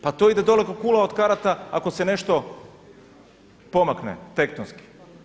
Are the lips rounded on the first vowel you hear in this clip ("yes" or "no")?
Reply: no